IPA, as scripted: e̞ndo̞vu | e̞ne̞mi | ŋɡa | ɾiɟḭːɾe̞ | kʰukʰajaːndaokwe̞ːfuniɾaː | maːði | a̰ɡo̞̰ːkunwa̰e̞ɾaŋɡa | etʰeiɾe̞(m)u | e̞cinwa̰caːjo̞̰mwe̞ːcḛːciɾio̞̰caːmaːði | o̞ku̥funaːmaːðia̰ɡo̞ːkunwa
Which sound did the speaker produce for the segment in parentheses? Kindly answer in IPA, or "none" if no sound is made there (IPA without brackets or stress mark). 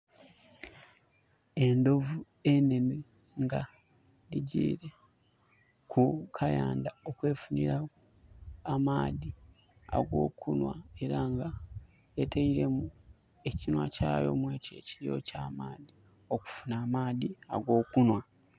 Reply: m